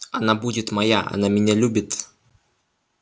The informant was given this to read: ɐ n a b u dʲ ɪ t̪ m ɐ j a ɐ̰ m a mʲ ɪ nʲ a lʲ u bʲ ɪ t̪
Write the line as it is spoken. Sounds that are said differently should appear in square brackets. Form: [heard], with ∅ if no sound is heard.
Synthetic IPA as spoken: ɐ n a b u dʲ ɪ t̪ m ɐ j a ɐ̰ [n] a mʲ ɪ nʲ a lʲ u bʲ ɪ t̪